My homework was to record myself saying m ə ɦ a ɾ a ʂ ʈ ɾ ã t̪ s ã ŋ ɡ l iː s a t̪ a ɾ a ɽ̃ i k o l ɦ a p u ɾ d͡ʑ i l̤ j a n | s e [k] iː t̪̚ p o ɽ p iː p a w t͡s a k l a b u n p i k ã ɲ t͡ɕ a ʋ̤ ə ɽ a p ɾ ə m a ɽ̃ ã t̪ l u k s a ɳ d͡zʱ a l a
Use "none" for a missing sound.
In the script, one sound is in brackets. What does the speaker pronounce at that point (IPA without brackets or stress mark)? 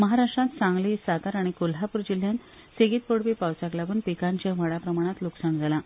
ɡ